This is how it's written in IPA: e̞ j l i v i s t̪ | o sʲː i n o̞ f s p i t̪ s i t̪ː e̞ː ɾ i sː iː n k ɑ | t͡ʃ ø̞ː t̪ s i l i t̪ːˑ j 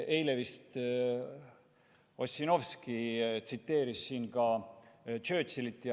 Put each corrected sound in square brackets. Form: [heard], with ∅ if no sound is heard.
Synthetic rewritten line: e̞ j l [e] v i s t̪ | o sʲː i n o̞ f s [k] i t̪ s i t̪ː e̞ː ɾ i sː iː n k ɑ | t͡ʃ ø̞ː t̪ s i l i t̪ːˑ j